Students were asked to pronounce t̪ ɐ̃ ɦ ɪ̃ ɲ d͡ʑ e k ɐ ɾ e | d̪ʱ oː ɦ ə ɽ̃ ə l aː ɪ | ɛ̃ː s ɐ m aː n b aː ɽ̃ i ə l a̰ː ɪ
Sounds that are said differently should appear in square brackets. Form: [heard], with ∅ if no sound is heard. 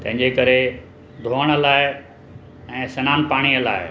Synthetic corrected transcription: t̪ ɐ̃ ɦ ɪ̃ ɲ d͡ʑ e k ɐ ɾ e | d̪ʱ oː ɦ ə ɽ̃ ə l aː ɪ | ɛ̃ː s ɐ [n] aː n [p] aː ɽ̃ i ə l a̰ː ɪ